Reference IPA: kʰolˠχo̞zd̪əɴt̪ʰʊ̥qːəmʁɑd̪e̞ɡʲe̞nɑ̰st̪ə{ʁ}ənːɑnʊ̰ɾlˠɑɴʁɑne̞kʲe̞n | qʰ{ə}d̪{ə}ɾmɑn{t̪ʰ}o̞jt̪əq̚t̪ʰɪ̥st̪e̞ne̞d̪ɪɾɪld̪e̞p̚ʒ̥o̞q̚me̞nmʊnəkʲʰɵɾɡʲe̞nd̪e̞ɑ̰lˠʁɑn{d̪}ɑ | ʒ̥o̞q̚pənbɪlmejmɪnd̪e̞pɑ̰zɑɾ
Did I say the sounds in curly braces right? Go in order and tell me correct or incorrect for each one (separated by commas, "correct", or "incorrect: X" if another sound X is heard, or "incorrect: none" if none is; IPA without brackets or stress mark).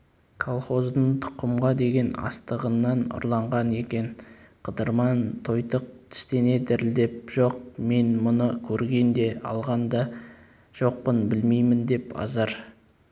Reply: correct, correct, correct, correct, correct